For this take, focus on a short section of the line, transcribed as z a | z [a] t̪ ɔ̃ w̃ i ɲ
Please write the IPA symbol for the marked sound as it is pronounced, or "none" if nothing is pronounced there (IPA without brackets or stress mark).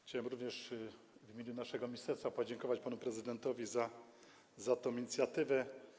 a